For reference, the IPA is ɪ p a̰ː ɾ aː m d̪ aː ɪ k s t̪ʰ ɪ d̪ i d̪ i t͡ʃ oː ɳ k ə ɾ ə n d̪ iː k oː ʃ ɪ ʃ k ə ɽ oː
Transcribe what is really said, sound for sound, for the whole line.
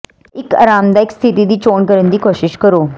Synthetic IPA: ɪ k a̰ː ɾ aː m d̪ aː ɪ k s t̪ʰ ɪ t̪ i d̪ iː t͡ʃ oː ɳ k ə ɾ ə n d̪ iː k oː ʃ ɪ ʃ k ə ɾ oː